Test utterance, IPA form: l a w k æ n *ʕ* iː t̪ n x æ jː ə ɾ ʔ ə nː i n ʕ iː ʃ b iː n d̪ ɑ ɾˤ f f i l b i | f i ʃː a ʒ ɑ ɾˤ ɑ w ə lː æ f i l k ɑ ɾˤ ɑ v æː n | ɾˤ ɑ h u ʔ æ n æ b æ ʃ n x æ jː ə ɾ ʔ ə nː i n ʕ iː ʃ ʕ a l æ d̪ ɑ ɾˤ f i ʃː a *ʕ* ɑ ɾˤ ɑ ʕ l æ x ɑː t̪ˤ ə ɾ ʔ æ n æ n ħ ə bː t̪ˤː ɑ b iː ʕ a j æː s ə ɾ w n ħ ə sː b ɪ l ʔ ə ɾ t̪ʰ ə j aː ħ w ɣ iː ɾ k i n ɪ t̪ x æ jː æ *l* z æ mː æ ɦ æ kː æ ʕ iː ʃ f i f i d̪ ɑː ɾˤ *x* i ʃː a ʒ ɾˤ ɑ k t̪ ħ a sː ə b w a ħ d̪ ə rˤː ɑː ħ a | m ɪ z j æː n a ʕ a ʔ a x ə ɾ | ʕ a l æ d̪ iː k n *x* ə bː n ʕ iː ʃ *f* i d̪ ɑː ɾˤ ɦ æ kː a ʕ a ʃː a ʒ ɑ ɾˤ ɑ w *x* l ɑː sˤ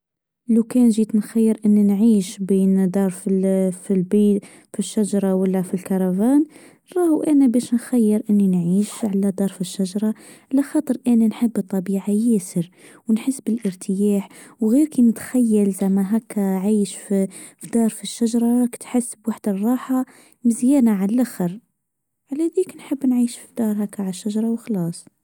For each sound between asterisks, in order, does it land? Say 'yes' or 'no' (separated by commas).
no, no, yes, no, no, yes, yes